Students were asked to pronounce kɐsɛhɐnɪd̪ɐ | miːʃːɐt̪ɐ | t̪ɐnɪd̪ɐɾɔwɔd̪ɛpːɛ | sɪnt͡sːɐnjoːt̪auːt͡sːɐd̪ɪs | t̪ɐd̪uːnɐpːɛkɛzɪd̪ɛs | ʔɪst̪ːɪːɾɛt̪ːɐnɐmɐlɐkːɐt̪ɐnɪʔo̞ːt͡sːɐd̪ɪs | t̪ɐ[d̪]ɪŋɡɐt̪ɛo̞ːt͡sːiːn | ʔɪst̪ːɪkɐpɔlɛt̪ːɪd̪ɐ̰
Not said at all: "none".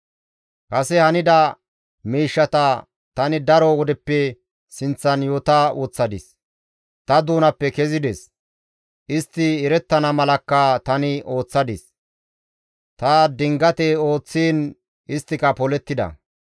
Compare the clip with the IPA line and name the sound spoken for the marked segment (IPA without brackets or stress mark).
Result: d̪